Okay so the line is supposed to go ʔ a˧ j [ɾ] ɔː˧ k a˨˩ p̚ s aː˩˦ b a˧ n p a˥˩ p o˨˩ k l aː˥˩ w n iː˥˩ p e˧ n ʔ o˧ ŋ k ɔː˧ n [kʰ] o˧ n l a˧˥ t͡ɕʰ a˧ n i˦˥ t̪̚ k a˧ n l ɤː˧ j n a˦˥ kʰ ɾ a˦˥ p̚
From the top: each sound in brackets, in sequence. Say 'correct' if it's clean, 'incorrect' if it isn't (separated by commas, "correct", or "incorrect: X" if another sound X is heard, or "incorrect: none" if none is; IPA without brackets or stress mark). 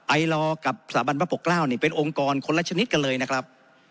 incorrect: l, correct